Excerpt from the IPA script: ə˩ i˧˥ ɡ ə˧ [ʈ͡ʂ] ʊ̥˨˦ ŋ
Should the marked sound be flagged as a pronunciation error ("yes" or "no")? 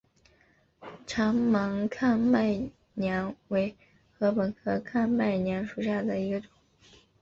no